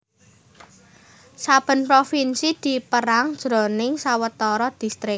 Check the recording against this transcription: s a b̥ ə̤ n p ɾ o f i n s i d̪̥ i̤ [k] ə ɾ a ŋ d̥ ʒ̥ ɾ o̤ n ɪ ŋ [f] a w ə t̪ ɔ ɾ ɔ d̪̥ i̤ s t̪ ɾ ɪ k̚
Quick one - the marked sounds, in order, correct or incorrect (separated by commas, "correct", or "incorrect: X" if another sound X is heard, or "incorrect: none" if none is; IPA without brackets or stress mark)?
incorrect: p, incorrect: s